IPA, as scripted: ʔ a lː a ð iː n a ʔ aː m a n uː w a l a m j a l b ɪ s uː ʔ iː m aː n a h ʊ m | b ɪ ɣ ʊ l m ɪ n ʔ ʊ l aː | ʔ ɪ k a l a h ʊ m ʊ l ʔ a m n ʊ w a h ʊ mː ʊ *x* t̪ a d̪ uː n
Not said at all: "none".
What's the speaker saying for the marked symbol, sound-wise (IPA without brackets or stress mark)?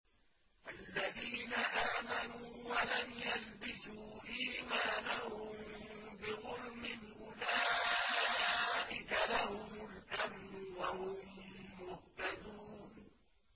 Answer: h